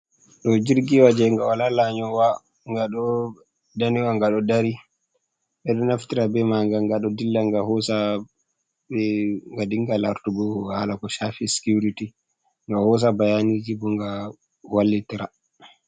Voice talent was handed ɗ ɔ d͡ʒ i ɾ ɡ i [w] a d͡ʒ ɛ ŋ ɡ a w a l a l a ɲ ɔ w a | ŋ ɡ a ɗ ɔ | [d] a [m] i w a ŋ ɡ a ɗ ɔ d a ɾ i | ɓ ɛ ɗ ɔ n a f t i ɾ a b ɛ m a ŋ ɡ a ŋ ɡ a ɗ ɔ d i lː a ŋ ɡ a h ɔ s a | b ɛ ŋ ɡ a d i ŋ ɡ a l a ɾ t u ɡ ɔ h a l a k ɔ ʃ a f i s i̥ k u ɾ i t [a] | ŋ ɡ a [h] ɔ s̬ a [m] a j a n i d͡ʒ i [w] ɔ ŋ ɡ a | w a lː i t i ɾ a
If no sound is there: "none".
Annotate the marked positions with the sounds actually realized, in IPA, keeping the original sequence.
w, d, n, i, h, b, b

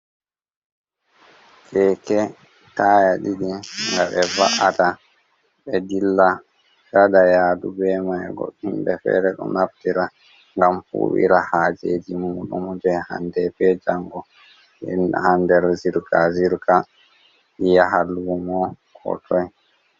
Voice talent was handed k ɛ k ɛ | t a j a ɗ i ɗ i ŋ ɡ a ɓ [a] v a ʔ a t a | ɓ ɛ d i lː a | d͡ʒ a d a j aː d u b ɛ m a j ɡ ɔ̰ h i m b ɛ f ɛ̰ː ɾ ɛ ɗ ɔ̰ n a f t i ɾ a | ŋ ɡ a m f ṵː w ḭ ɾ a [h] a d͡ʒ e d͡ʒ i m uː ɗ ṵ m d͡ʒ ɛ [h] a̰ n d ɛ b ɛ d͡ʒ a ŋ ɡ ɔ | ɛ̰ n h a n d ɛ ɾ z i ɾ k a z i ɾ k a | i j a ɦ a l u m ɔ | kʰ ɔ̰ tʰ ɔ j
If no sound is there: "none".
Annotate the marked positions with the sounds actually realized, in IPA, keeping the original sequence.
ɛ, h, h

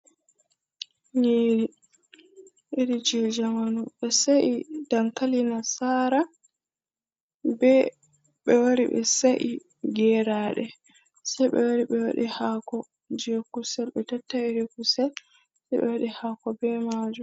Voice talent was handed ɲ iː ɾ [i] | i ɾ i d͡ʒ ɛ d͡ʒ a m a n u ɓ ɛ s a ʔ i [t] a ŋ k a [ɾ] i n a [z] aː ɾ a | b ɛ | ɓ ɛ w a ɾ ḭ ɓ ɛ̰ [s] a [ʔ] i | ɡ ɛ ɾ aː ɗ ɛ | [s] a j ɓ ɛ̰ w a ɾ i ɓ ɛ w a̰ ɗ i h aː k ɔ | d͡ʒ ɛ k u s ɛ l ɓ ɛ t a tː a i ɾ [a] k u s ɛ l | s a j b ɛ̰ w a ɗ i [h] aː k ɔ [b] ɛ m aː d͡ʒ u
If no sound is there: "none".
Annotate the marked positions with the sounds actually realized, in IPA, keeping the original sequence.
i, d, l, s, s, ʔ, s, i, h, b

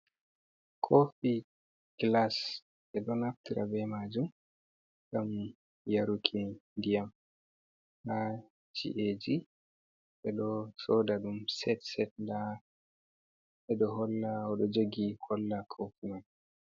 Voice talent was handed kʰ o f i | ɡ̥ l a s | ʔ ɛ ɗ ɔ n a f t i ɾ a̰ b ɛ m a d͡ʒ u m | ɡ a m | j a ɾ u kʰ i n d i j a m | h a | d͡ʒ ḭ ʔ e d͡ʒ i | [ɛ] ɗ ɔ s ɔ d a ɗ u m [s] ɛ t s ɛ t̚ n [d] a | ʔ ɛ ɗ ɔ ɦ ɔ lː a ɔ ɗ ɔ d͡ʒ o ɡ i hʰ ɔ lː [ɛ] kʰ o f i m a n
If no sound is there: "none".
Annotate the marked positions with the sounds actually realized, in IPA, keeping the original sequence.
ɛ, s, d, a

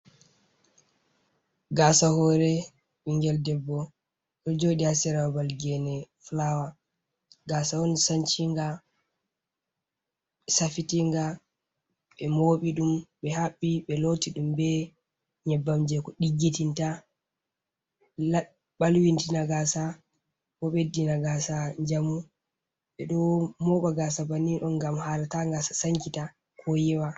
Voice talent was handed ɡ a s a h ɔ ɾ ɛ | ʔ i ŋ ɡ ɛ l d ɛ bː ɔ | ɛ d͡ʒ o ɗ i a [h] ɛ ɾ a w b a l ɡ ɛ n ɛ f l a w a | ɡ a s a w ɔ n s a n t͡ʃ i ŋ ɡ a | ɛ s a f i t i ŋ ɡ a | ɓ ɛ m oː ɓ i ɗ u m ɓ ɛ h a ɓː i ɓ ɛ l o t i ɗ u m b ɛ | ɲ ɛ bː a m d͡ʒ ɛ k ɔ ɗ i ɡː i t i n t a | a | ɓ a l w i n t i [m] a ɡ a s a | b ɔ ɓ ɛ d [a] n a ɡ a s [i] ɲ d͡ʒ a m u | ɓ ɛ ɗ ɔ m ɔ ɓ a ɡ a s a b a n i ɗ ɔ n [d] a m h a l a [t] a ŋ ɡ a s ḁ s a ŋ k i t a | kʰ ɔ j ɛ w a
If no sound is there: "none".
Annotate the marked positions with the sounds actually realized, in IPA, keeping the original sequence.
s, n, i, a, ɡ, t

